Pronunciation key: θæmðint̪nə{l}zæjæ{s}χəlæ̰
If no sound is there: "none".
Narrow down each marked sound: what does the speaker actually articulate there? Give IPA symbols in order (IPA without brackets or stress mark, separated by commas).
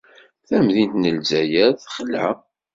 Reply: l, θ